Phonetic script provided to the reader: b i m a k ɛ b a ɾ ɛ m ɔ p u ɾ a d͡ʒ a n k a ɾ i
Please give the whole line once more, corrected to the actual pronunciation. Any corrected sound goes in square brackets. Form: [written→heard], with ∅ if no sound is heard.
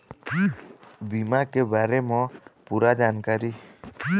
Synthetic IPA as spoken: b i m a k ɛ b a ɾ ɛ m ɔ p u ɾ a d͡ʒ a n k a ɾ i

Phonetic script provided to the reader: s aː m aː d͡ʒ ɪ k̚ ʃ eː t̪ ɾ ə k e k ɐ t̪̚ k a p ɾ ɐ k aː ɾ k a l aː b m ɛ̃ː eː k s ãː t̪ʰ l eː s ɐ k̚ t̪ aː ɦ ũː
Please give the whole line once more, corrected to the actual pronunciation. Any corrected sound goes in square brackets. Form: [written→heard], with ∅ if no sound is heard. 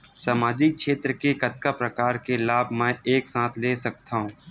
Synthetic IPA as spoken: s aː m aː d͡ʒ ɪ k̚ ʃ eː t̪ ɾ ə k e k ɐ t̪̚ k a p ɾ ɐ k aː ɾ k [a→e] l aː b m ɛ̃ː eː k s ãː t̪ʰ l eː s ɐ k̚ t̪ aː ɦ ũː

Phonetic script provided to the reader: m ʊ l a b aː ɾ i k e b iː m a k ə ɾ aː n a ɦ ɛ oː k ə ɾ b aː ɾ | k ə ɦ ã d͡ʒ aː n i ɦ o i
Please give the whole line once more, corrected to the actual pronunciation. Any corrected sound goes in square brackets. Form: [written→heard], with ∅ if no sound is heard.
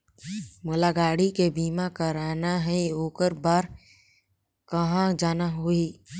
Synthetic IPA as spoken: m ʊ l a [b→ɡ] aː [ɾ→ɽ] i k e b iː m a k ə ɾ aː n a ɦ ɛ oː k ə ɾ b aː ɾ | k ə ɦ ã d͡ʒ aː n [i→a] ɦ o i

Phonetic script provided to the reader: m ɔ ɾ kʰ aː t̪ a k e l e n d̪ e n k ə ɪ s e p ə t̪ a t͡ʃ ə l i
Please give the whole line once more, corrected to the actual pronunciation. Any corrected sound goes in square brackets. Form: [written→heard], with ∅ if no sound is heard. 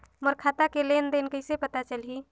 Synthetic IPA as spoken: m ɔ ɾ kʰ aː t̪ a k e l e n d̪ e n k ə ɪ s e p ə t̪ a t͡ʃ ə l i

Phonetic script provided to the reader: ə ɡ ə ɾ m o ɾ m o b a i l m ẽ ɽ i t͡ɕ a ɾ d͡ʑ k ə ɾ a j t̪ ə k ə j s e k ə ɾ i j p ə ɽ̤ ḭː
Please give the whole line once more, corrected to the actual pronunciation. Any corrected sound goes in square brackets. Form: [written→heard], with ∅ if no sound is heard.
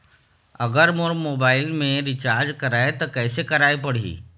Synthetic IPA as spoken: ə ɡ ə ɾ m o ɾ m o b a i l m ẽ [ɽ→ɾ] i t͡ɕ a ɾ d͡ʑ k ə ɾ a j t̪ ə k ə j s e k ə ɾ [i→a] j p ə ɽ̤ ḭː

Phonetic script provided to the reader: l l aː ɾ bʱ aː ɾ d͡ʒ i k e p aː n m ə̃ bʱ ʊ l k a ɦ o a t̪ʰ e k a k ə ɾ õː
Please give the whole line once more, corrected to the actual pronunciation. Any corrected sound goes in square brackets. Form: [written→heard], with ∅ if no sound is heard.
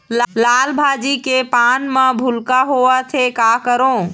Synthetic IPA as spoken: l l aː [ɾ→l] bʱ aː [ɾ→∅] d͡ʒ i k e p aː n m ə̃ bʱ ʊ l k a ɦ o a t̪ʰ e k a k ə ɾ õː

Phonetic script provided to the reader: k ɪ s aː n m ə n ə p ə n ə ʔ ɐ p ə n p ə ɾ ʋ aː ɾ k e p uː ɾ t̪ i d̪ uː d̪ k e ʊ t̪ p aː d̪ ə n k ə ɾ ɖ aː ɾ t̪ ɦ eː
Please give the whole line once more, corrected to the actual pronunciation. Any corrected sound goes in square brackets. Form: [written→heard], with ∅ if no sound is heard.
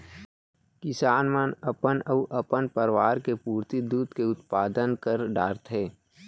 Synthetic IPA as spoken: k ɪ s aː n m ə n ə p ə n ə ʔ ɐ p ə n p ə ɾ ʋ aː ɾ k e p uː ɾ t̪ i d̪ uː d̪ k e ʊ t̪ p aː d̪ ə n k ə ɾ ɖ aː ɾ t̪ ɦ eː

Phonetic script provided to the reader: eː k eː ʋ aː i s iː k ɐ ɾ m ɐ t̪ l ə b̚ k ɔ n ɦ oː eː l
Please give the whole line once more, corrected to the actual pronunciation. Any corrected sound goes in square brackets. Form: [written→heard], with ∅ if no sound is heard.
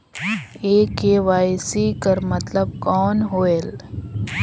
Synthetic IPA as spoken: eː k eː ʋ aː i s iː k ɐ ɾ m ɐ t̪ l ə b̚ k [ɔ→ɔː] n ɦ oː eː l

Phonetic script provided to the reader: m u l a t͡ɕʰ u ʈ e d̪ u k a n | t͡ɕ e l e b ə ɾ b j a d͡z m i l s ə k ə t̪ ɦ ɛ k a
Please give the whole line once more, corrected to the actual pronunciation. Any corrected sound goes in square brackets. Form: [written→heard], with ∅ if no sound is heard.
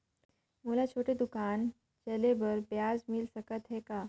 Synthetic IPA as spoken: m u l a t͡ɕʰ [u→o] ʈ e d̪ u k a n | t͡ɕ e l e b ə ɾ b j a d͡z m i l s ə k ə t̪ ɦ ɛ k a

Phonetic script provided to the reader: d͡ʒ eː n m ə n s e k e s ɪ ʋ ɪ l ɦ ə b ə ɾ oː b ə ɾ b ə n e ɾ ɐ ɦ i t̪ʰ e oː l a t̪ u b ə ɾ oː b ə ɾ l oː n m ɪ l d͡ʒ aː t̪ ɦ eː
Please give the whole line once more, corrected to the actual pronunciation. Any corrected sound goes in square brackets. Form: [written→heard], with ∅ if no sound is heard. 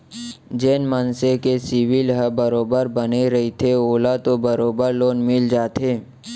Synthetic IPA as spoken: d͡ʒ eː n m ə n s e k e s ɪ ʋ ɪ l ɦ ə b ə ɾ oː b ə ɾ b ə n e ɾ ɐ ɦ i t̪ʰ e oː l a t̪ [u→o] b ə ɾ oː b ə ɾ l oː n m ɪ l d͡ʒ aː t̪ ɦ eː

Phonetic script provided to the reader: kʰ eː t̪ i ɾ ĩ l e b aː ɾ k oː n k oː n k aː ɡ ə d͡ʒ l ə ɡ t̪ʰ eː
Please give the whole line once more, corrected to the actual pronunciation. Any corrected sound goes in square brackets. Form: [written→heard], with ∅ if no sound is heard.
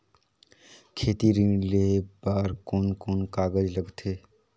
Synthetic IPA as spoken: kʰ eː t̪ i ɾ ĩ l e b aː ɾ k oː n k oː n k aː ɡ ə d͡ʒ l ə ɡ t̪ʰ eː

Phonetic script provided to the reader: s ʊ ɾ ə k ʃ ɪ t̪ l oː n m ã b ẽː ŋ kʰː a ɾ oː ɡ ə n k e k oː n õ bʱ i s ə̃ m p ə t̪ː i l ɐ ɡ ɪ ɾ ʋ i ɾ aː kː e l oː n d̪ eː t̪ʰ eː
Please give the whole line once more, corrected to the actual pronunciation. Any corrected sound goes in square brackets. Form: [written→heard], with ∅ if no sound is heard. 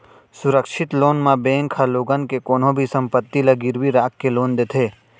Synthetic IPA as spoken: s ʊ ɾ ə k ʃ ɪ t̪ l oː n m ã b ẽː ŋ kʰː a [ɾ→l] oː ɡ ə n k e k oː n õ bʱ i s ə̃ m p ə t̪ː i l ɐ ɡ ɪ ɾ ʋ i ɾ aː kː e l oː n d̪ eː t̪ʰ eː

